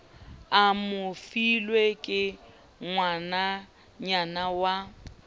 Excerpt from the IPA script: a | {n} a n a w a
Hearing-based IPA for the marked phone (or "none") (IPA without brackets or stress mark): ɲ